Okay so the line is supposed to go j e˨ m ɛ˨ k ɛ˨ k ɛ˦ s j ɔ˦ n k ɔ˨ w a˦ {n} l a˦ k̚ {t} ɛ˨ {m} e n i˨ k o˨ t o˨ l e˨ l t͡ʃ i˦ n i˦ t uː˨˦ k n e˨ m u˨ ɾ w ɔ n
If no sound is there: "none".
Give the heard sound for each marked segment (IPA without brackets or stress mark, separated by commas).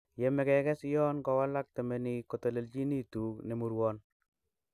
none, t, m